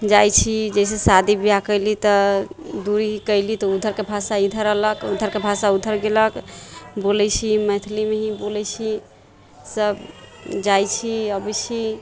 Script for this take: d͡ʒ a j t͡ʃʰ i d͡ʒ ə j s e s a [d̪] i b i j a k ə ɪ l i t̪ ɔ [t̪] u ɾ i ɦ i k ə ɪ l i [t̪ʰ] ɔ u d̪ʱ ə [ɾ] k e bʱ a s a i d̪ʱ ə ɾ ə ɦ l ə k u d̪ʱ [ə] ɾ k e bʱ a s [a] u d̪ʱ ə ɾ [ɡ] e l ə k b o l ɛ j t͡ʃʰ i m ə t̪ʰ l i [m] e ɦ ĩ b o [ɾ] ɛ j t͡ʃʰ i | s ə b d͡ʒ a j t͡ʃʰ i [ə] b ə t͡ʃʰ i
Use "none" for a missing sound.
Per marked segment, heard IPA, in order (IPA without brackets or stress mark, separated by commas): d̪, d̪, t̪, ɾ, ə, a, ɡ, m, l, ə